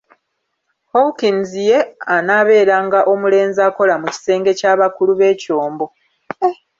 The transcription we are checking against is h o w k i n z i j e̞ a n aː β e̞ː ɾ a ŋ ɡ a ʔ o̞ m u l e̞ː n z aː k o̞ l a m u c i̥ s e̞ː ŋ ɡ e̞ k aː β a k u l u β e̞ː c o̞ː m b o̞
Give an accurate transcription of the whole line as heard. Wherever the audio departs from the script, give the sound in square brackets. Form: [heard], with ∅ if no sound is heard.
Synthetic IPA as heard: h o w k i n z i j e̞ a n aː β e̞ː ɾ a ŋ ɡ a ʔ o̞ m u l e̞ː n z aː k o̞ l a m u c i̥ s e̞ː ŋ ɡ e̞ [c] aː β a k u l u β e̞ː c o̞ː m b o̞